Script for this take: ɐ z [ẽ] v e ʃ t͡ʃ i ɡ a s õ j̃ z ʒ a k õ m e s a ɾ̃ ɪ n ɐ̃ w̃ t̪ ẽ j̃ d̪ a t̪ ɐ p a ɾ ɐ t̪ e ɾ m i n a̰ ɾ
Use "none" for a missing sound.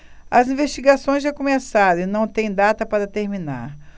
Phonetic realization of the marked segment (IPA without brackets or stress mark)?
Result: ĩ